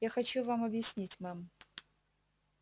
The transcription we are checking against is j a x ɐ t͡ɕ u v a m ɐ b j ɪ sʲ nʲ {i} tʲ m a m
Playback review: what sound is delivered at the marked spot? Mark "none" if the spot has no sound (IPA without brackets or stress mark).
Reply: i